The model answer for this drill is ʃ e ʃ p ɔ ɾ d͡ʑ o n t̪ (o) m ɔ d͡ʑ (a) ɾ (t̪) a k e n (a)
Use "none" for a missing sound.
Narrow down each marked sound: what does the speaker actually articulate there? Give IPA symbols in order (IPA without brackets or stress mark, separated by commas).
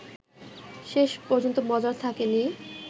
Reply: o, a, t̪ʰ, i